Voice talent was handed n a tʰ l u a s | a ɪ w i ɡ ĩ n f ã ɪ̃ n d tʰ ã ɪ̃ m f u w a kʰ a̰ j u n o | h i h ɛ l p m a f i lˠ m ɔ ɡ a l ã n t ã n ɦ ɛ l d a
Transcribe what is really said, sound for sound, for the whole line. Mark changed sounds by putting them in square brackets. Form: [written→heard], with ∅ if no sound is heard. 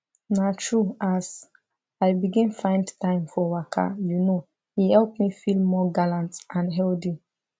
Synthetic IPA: n a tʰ [l→ɹ] u a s | a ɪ [w→b] i ɡ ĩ n f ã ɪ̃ n d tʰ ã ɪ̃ m f [u→ɔ] w a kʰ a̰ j u n o | h i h ɛ l p m [a→i] f i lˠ m ɔ ɡ a l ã n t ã n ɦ ɛ l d [a→i]